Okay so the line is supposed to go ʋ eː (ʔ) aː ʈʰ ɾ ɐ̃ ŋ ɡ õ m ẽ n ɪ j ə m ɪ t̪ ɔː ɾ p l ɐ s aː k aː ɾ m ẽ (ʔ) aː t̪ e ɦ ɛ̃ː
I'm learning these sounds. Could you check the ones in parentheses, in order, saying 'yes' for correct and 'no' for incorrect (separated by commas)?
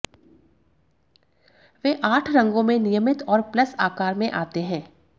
yes, yes